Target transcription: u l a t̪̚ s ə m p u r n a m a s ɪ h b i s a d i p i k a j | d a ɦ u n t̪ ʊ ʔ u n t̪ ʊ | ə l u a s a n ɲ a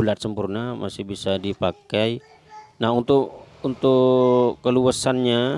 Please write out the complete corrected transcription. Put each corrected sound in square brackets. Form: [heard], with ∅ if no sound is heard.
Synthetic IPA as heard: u l a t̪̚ s ə m p u r n a m a s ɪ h b i s a d i p [a] k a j | [n] a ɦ u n t̪ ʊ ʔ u n t̪ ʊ | ə l u a s a n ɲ a